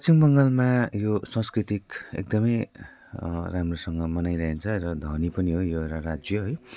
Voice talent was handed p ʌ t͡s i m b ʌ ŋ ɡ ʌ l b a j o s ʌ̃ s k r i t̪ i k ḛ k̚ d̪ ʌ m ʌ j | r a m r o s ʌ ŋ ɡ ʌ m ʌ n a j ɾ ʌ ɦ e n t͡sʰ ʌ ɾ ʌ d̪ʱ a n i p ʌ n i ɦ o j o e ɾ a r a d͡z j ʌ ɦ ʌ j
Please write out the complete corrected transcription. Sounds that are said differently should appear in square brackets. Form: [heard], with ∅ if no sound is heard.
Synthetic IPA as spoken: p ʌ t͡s i m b ʌ ŋ ɡ ʌ l [m] a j o s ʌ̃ s k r i t̪ i k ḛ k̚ d̪ ʌ m ʌ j | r a m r o s ʌ ŋ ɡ ʌ m ʌ n a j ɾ ʌ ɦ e n t͡sʰ ʌ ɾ ʌ d̪ʱ [ʌ] n i p ʌ n i ɦ o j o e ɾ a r a d͡z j ʌ ɦ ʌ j